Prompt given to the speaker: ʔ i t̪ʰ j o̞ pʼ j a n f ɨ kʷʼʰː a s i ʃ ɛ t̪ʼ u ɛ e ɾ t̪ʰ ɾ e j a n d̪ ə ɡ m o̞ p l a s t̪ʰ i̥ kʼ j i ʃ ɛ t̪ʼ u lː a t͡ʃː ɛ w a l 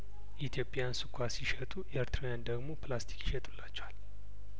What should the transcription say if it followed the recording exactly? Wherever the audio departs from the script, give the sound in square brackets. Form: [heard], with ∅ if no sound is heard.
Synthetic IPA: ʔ i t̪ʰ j o̞ pʼ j a n [s] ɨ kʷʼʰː a s i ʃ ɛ t̪ʼ u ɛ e ɾ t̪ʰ ɾ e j a n d̪ ə ɡ m o̞ p l a s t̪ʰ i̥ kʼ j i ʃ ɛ t̪ʼ u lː a t͡ʃː ɛ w a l